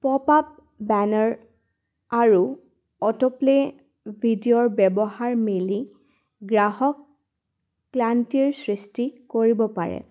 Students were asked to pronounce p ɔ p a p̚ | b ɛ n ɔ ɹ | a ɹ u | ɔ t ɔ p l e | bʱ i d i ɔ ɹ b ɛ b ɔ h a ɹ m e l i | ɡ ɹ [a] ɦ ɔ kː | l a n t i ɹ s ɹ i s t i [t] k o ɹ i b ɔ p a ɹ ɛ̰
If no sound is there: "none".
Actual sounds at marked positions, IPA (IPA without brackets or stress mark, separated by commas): a, none